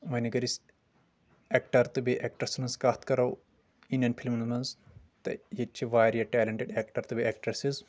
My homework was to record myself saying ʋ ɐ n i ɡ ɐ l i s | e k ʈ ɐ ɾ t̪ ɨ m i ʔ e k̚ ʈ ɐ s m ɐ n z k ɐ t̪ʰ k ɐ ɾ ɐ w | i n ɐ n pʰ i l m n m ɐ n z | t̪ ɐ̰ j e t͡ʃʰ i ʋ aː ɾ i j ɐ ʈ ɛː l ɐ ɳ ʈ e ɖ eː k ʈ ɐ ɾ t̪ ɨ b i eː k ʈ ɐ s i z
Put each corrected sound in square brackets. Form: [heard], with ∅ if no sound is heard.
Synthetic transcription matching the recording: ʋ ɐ n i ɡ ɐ [ɾ] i s | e k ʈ ɐ ɾ t̪ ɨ [b] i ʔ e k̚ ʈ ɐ s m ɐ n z k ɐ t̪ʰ k ɐ ɾ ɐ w | i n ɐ n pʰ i l m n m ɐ n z | t̪ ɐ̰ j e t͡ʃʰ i ʋ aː ɾ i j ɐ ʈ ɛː l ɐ ɳ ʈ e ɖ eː k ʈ ɐ ɾ t̪ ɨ b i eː k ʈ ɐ s i z

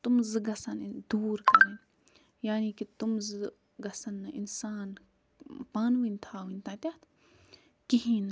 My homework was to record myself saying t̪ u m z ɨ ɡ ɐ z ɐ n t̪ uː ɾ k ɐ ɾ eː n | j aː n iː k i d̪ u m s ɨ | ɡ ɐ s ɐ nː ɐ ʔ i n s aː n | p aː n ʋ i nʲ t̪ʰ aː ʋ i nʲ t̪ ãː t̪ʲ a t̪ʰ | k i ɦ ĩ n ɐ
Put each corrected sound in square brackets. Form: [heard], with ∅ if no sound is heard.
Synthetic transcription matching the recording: t̪ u m z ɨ ɡ ɐ [s] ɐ n [d̪] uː ɾ k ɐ ɾ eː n | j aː n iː k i [t̪] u m [z] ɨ | ɡ ɐ s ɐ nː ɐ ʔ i n s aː n | p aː n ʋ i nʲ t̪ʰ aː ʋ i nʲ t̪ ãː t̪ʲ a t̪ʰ | k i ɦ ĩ n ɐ

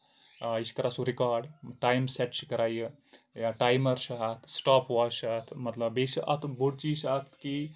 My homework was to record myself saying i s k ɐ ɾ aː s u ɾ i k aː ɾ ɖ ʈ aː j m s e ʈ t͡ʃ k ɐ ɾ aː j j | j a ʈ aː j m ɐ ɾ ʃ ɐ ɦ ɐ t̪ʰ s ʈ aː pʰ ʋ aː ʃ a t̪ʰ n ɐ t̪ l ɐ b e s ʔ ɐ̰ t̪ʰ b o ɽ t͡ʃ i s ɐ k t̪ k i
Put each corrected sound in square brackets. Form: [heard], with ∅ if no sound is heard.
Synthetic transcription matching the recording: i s k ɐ ɾ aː s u ɾ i k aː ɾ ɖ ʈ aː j m s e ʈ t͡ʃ k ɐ ɾ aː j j | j a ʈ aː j m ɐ ɾ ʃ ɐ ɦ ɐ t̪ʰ s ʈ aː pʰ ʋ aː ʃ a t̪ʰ [m] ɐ t̪ l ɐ b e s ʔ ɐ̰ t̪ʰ b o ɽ t͡ʃ i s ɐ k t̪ k i

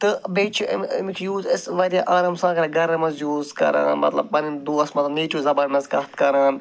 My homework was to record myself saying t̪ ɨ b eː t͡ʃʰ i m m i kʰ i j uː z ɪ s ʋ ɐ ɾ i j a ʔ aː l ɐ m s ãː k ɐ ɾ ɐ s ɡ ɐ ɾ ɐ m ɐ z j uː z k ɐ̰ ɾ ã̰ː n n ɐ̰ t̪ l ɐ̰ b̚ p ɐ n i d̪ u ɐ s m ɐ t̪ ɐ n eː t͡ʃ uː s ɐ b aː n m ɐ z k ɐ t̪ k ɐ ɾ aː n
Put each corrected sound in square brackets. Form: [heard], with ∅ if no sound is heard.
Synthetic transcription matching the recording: t̪ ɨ b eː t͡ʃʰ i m m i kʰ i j uː z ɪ s ʋ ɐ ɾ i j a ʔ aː [ɾ] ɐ m s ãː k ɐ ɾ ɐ [∅] ɡ ɐ ɾ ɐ m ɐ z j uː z k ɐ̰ ɾ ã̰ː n [m] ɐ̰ t̪ l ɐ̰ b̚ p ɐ n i d̪ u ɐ s m ɐ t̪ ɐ n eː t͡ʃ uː [z] ɐ b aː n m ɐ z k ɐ t̪ k ɐ ɾ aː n

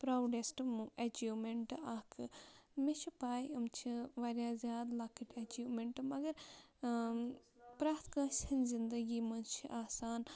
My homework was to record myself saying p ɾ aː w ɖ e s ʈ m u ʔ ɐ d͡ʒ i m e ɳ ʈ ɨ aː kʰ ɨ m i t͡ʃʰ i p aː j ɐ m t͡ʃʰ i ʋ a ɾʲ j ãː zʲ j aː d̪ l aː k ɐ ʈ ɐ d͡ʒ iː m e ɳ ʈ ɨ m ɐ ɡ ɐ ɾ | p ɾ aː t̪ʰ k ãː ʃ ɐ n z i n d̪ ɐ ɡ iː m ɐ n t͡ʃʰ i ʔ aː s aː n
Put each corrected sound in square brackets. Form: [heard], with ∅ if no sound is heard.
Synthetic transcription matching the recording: p ɾ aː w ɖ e s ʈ m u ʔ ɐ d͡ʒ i m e ɳ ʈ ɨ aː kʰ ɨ m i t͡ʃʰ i p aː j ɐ m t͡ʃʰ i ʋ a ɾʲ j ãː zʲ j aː d̪ l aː k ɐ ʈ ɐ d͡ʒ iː m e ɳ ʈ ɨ m ɐ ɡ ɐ ɾ | p ɾ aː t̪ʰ k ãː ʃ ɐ n z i n d̪ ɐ ɡ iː m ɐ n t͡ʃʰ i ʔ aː s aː n

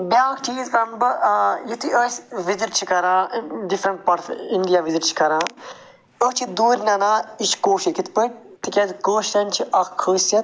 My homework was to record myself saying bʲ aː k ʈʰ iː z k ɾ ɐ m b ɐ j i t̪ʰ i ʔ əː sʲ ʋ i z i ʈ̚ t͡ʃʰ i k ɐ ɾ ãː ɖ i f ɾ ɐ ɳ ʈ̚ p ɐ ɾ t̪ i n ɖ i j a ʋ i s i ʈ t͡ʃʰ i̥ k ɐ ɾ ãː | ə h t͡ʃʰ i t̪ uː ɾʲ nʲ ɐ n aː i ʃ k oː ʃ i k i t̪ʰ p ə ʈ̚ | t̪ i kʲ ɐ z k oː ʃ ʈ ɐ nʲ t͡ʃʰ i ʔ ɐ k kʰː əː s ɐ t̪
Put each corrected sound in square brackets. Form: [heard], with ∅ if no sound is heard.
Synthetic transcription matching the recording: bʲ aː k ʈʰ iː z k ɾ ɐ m b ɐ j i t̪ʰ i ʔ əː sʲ ʋ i z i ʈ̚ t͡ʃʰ i k ɐ ɾ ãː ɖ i f ɾ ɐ ɳ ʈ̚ p ɐ ɾ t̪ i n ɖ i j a ʋ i [z] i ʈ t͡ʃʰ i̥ k ɐ ɾ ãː | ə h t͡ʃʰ i [d̪] uː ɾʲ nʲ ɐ n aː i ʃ k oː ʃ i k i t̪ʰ p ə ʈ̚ | t̪ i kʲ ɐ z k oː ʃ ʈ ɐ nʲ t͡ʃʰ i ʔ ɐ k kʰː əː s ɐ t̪

